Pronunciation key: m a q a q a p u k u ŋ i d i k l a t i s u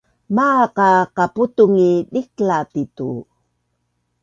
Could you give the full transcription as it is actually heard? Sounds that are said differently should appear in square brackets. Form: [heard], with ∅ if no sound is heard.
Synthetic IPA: m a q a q a p u [t] u ŋ i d i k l a t i [t] u